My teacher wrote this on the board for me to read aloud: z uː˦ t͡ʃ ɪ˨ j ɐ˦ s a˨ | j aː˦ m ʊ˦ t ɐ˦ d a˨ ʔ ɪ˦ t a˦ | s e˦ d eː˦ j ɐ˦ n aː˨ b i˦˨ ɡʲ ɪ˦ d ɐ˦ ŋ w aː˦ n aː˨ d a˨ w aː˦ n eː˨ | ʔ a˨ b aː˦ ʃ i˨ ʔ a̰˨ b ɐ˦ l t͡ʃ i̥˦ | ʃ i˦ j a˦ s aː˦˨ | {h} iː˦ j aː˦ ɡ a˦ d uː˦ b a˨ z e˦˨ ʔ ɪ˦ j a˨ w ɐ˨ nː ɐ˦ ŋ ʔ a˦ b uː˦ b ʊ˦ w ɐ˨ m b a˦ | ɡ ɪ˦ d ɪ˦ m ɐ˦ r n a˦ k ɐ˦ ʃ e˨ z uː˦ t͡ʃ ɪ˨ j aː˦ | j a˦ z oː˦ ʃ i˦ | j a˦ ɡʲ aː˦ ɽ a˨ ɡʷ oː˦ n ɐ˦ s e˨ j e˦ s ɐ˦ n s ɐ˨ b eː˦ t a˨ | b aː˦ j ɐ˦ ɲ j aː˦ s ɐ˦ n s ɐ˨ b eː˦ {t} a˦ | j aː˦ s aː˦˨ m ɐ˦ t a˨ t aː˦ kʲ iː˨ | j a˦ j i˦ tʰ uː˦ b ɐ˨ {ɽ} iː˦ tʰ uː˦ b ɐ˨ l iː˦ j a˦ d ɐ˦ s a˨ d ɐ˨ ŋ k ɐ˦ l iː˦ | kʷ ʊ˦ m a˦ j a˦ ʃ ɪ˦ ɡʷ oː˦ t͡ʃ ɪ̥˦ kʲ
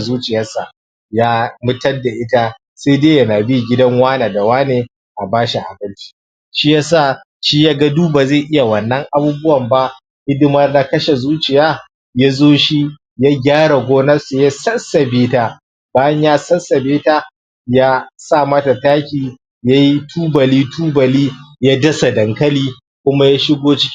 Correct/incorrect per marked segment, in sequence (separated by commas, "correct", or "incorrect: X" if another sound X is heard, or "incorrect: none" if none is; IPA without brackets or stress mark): incorrect: ʃ, correct, incorrect: l